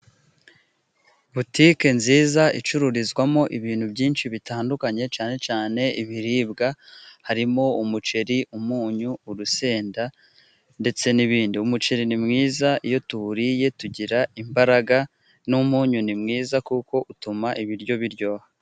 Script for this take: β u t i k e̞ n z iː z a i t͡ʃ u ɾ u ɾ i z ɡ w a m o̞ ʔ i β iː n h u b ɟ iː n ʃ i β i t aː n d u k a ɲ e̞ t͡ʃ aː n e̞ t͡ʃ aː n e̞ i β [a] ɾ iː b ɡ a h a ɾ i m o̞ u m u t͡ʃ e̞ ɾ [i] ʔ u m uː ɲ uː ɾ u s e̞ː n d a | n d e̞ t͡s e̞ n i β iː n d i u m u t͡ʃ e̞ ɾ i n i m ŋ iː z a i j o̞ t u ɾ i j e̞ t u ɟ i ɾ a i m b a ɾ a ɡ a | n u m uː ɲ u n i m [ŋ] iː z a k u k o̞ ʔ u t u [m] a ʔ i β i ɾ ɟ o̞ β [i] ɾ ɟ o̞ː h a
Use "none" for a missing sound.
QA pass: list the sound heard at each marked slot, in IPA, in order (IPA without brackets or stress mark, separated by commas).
i, i, ŋ, m, i